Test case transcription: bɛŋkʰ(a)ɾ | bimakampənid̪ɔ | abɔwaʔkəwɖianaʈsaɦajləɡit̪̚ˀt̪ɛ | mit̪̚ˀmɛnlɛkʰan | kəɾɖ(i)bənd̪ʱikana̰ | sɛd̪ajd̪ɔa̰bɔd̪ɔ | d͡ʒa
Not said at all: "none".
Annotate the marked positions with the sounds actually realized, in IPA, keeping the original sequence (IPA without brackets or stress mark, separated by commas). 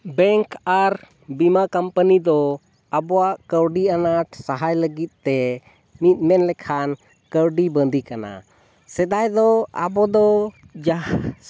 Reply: a, i